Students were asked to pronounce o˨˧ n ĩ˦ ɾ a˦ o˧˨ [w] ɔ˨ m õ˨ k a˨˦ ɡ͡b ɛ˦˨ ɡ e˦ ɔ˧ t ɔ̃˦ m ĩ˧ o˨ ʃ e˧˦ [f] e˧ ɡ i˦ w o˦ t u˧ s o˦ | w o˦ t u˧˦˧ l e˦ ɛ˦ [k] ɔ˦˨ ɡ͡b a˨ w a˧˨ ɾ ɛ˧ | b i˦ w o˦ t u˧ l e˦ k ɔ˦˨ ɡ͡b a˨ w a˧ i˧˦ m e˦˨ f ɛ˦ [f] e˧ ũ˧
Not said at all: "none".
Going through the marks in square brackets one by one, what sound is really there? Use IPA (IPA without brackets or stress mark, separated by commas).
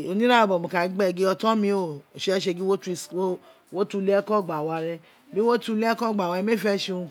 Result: b, ʃ, k, ʃ